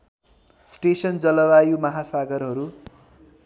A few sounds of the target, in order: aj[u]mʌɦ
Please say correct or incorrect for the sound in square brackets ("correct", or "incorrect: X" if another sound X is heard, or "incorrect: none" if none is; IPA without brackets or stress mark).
correct